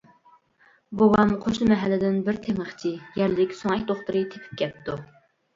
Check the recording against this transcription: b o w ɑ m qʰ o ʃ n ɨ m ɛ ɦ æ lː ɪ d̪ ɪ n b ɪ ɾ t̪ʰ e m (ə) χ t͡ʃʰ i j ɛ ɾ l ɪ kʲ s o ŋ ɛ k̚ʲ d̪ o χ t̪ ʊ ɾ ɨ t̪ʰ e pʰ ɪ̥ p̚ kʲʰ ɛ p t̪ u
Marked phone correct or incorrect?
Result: correct